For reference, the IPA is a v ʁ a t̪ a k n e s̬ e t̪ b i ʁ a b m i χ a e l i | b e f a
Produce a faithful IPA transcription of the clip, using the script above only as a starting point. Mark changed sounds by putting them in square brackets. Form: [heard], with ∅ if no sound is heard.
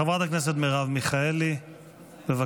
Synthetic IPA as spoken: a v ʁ a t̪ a k n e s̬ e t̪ [m] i ʁ a [v] m i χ a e l i | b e [v] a